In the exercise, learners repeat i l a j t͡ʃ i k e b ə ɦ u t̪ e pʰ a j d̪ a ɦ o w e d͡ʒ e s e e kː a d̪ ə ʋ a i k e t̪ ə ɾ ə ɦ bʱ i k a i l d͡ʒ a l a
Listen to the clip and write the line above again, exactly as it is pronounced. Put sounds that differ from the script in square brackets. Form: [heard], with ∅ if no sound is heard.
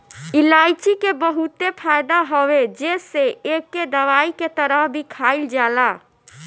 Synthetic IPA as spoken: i l a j t͡ʃ i k e b ə ɦ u t̪ e pʰ a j d̪ a ɦ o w e d͡ʒ e s e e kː [e] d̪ ə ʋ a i k e t̪ ə ɾ ə ɦ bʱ i [kʰ] a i l d͡ʒ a l a